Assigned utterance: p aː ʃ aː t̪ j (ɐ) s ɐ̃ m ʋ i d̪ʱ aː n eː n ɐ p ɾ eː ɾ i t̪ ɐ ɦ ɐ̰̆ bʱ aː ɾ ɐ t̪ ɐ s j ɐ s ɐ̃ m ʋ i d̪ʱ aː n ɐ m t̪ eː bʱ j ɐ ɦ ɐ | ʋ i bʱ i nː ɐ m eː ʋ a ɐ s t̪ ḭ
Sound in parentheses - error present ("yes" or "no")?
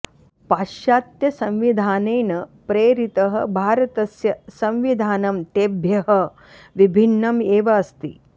no